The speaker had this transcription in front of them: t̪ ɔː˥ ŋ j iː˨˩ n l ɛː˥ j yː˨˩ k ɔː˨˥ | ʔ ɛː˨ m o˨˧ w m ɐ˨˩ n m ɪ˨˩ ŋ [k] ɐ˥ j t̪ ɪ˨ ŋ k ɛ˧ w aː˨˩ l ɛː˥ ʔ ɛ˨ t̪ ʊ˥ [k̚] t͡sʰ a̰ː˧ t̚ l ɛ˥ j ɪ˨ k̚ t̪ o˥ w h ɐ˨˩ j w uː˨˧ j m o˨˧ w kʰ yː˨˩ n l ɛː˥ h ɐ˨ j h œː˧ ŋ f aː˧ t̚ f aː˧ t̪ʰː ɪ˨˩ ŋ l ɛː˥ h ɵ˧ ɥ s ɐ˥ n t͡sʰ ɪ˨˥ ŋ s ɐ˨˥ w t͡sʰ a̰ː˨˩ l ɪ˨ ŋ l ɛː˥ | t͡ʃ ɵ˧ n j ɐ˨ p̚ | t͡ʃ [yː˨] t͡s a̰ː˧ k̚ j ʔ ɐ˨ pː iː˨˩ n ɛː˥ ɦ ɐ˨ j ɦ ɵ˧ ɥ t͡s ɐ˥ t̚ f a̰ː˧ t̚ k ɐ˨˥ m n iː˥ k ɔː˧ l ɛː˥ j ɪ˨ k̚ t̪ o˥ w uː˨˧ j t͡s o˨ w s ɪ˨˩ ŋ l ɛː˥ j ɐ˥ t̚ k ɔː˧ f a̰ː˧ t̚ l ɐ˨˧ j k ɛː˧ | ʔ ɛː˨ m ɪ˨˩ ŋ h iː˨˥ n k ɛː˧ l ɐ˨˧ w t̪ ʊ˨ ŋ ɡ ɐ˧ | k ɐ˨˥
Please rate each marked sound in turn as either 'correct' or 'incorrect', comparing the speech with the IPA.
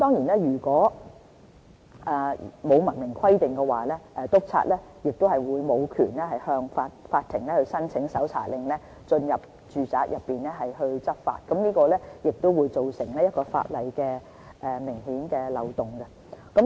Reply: incorrect, correct, correct

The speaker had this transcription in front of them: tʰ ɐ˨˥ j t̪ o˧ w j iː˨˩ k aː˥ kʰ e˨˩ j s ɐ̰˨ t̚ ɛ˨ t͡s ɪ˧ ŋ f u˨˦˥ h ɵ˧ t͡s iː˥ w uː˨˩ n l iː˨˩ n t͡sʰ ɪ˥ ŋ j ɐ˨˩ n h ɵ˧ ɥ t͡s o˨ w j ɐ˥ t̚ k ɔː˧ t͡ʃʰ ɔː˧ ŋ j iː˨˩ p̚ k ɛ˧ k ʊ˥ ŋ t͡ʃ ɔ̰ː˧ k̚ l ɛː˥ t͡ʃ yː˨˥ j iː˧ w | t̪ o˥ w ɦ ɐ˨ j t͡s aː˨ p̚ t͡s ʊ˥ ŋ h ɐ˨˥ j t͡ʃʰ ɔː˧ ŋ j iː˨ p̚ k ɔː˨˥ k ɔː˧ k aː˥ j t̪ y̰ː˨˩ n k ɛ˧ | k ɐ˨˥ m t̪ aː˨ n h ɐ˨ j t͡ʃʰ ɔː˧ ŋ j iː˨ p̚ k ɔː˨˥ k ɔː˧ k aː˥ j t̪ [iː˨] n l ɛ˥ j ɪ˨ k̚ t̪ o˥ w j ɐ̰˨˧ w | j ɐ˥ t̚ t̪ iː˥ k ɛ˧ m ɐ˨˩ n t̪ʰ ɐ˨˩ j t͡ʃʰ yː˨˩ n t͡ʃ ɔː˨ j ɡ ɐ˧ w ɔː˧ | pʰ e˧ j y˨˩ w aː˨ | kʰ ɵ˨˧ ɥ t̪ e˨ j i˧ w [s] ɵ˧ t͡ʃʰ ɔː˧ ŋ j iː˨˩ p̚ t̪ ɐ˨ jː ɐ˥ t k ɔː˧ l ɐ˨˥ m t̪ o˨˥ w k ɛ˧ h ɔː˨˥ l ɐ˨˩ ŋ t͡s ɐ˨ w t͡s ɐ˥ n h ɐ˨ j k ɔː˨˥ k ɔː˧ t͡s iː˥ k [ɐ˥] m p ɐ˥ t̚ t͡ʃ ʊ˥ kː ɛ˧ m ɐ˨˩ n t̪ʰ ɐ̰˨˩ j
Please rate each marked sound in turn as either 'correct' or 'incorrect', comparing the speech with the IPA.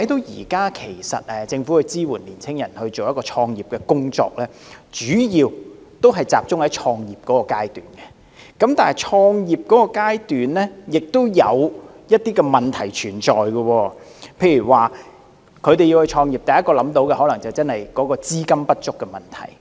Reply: incorrect, incorrect, correct

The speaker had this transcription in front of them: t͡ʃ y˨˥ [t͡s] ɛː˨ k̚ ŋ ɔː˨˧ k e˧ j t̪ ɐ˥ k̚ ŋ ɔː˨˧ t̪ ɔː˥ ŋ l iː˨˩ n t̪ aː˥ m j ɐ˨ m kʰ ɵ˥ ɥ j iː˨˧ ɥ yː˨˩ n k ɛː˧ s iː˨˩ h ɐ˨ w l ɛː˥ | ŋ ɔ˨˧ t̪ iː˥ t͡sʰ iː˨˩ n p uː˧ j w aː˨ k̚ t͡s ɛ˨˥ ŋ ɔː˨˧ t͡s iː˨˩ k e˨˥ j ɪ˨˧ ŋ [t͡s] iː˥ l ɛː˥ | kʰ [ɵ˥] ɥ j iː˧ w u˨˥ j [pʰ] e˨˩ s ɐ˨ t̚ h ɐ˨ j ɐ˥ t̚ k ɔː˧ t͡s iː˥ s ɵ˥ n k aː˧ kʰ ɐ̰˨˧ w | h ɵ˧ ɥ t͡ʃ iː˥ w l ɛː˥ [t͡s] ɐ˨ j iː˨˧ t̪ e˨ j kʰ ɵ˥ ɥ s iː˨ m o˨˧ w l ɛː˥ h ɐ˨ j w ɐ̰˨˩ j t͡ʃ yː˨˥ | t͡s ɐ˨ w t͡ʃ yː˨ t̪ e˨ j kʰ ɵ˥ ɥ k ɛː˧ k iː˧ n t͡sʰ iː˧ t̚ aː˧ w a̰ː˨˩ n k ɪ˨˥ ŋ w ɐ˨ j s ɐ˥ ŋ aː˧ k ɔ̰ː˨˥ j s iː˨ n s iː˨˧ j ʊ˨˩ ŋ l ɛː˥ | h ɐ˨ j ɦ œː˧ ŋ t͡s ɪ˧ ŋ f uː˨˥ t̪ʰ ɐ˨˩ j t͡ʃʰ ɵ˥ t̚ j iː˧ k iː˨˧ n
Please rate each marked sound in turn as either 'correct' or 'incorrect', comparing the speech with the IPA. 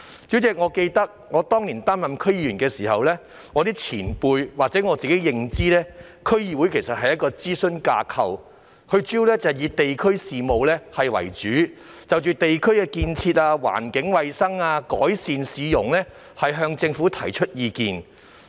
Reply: correct, correct, correct, incorrect, correct

